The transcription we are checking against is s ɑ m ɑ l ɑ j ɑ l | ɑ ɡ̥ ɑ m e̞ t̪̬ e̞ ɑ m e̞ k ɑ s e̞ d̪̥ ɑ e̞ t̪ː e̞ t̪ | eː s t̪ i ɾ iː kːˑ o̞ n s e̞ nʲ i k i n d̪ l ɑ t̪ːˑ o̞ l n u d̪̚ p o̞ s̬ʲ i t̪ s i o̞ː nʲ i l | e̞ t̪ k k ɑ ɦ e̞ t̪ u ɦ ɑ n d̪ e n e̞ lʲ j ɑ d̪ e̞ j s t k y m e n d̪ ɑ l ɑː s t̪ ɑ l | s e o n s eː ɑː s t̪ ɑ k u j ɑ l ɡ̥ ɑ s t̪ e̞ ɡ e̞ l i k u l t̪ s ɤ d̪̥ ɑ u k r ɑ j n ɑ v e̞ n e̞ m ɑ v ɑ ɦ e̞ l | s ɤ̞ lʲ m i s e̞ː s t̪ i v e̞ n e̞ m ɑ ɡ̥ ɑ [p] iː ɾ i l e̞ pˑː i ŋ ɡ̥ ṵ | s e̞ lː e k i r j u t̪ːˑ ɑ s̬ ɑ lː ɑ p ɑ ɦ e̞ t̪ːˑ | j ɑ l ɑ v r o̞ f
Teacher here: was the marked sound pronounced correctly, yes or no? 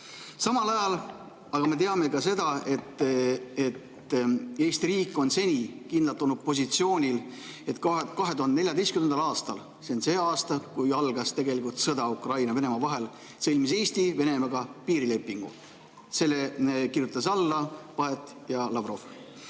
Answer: yes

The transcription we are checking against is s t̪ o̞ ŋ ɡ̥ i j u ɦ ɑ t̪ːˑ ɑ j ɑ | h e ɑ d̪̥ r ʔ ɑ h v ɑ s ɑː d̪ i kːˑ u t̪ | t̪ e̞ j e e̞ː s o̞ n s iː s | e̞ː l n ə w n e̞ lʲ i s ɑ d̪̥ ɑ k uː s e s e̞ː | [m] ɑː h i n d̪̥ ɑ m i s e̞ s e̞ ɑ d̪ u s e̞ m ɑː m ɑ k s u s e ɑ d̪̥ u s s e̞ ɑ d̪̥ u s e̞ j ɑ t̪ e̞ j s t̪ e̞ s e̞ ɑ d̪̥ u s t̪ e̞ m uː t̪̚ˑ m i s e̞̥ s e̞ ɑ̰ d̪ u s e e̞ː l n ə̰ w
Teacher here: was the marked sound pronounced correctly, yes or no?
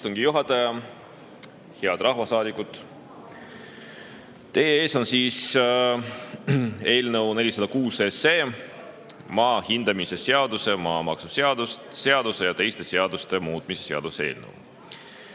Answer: yes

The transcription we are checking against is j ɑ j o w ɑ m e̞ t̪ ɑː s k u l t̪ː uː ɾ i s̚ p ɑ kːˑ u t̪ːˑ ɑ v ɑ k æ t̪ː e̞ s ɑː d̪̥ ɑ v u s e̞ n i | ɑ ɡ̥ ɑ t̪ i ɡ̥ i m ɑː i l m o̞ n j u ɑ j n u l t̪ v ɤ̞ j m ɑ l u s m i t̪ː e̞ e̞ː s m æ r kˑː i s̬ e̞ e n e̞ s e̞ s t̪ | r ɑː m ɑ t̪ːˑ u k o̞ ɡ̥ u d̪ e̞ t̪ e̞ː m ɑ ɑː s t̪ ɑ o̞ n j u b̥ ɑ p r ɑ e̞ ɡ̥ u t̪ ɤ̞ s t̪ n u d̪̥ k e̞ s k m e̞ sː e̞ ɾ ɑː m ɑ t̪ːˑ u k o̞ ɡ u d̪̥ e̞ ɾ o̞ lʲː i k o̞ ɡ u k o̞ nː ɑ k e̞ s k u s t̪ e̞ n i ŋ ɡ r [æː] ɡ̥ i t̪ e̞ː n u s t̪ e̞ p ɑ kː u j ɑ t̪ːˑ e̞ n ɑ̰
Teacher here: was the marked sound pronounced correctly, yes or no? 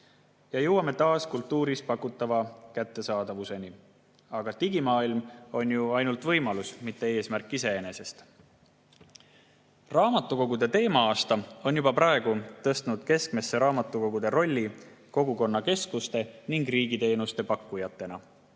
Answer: no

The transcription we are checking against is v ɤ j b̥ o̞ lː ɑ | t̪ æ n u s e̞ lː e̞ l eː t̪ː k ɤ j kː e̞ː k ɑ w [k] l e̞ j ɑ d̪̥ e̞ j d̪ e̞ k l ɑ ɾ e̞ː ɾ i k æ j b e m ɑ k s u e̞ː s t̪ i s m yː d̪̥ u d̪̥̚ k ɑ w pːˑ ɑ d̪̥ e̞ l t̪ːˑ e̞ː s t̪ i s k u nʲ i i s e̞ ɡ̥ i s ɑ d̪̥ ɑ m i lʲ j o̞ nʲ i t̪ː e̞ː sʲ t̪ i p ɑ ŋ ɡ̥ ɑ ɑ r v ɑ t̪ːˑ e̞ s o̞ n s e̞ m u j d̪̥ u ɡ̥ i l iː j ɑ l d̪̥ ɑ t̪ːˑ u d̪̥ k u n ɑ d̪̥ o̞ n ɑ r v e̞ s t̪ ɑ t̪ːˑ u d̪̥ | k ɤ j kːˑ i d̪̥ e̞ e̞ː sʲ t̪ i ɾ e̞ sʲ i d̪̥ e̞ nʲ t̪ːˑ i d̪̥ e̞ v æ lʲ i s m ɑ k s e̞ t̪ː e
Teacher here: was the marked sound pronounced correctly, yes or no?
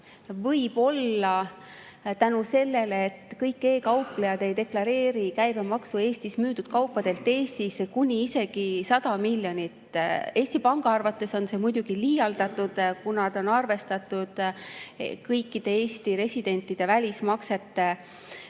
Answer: no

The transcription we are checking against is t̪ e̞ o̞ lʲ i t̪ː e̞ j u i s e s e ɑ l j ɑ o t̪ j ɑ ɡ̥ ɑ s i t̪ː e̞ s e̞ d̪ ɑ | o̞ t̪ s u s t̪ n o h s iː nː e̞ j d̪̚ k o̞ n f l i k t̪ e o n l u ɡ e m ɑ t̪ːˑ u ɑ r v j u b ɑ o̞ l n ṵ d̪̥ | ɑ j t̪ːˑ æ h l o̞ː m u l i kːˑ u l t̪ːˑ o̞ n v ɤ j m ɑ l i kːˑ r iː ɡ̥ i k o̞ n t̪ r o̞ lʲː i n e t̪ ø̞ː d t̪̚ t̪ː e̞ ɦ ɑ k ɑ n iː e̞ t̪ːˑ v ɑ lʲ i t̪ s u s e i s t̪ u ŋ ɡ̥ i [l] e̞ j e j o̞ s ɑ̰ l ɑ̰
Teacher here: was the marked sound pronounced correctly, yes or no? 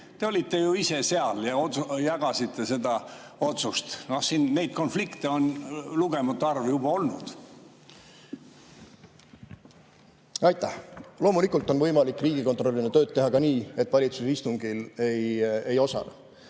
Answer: yes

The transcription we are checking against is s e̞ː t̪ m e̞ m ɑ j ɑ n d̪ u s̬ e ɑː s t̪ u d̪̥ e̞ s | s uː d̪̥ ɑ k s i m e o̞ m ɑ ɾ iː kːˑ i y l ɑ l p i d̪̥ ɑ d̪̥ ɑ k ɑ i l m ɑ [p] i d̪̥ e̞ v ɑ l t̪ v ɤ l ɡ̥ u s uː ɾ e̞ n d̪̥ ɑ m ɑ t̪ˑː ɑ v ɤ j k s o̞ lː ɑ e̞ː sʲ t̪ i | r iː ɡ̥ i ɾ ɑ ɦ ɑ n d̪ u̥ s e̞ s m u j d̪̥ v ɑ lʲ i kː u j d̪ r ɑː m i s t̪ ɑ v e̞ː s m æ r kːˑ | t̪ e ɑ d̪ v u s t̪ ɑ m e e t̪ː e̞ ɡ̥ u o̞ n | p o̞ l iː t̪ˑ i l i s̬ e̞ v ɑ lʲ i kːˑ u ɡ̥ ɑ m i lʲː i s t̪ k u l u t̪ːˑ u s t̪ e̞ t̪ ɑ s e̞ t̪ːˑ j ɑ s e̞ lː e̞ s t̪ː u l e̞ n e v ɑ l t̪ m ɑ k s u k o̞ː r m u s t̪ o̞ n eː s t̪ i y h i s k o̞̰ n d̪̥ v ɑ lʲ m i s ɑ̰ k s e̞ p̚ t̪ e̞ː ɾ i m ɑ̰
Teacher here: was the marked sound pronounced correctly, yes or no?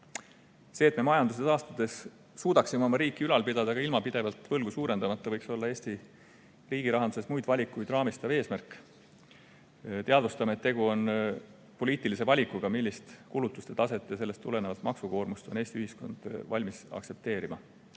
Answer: yes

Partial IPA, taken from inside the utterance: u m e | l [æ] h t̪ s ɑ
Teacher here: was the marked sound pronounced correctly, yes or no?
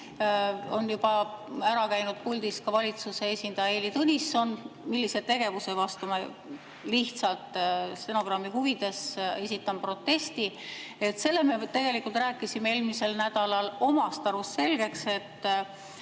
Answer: no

